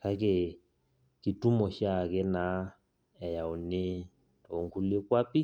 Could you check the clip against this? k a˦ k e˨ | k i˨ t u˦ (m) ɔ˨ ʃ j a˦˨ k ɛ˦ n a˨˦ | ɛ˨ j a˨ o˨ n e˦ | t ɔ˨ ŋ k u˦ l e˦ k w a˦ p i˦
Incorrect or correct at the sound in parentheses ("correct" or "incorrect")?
correct